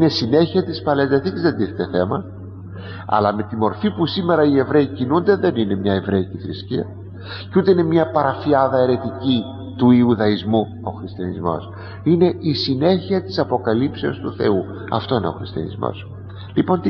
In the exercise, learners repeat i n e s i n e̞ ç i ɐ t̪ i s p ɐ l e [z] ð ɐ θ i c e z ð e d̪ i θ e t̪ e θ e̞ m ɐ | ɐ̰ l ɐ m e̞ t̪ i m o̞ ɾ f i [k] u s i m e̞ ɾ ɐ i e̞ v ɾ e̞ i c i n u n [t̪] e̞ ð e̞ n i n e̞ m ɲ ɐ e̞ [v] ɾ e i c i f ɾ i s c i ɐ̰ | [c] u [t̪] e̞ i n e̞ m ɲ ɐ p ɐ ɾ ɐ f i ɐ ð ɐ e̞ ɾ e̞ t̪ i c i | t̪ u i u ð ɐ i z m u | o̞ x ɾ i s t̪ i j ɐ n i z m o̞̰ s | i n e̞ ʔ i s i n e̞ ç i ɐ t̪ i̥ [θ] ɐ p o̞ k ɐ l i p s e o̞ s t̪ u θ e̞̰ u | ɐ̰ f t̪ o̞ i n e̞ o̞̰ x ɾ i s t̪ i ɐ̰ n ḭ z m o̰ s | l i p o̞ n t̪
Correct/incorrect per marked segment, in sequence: correct, incorrect: p, incorrect: d̪, correct, correct, correct, incorrect: s

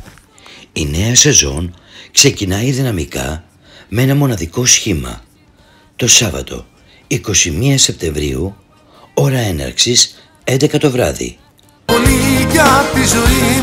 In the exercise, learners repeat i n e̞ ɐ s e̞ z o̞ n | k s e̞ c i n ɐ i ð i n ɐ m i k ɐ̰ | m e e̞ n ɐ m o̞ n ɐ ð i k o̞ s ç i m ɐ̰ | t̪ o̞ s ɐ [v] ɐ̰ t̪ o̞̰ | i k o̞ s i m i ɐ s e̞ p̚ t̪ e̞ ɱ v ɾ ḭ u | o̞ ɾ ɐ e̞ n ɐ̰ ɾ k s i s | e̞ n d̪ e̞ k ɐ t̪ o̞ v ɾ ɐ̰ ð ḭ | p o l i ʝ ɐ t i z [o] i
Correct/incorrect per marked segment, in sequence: correct, correct

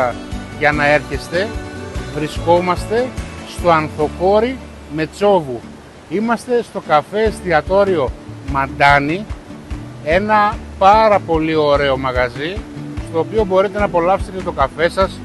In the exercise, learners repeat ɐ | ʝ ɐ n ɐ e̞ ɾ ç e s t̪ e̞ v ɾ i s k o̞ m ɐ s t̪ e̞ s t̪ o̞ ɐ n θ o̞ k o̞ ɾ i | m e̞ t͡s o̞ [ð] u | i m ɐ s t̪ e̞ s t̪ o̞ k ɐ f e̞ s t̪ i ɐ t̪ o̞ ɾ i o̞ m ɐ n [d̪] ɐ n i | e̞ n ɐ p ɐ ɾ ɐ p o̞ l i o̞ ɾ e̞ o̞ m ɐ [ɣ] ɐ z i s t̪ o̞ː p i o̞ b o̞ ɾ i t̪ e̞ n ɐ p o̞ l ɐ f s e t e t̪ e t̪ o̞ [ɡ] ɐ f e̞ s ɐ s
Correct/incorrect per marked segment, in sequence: incorrect: v, correct, correct, incorrect: k

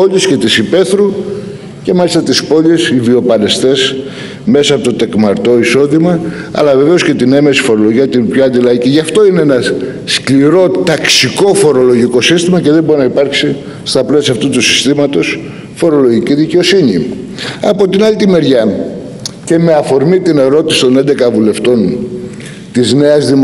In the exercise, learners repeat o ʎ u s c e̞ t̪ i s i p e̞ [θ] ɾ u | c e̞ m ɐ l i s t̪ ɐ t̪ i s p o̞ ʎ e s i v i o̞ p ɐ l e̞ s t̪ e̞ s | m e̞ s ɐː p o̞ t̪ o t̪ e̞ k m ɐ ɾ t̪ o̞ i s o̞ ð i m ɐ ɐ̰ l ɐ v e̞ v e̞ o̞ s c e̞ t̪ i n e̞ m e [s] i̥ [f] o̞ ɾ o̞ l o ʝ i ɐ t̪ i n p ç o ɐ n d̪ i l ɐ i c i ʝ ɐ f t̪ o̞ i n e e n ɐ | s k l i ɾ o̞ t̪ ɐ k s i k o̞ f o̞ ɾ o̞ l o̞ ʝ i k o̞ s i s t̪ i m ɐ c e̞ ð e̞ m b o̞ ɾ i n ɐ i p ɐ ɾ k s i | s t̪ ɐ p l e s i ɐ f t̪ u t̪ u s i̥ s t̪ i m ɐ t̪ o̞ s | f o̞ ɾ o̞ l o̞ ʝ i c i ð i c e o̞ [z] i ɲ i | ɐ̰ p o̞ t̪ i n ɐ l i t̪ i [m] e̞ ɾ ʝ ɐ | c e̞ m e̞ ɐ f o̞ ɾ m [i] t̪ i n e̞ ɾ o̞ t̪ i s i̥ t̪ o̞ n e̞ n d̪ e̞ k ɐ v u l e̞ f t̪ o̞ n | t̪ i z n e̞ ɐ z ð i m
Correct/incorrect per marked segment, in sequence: correct, correct, correct, incorrect: s, correct, correct

